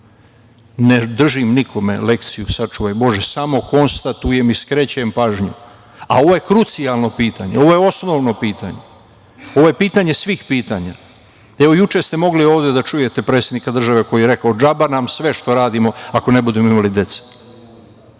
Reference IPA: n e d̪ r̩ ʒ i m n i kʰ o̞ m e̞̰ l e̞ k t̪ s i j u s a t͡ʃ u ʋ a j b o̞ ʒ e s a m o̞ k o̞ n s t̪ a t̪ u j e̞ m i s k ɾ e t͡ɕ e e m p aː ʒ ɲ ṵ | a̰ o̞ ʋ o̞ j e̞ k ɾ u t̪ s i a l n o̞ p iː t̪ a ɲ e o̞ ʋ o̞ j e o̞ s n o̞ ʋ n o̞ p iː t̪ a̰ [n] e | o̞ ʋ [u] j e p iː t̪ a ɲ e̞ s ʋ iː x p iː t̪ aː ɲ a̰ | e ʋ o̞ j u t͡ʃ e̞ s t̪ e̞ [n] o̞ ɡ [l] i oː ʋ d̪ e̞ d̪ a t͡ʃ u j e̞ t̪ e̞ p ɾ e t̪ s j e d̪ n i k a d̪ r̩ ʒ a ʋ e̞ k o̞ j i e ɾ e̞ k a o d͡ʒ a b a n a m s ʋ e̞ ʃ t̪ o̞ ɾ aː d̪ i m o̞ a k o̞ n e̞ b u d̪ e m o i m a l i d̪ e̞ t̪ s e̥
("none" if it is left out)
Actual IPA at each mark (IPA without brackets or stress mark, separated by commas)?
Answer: ɲ, o, m, l